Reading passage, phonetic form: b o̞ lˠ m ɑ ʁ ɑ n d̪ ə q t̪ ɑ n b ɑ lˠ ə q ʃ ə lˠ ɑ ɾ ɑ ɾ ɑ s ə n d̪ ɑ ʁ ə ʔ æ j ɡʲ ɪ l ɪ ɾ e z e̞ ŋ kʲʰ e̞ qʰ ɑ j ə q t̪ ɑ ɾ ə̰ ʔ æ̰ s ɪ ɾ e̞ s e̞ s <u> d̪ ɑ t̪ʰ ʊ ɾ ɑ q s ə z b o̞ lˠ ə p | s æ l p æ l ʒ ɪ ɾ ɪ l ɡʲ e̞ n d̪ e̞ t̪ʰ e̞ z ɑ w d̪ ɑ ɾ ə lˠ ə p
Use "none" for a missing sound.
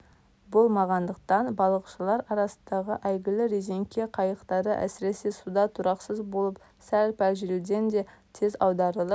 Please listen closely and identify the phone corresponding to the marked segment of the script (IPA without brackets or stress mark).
u